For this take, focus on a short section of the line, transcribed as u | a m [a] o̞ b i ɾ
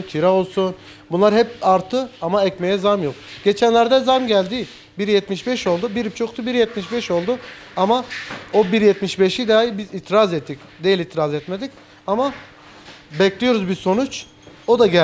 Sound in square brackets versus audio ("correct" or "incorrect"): correct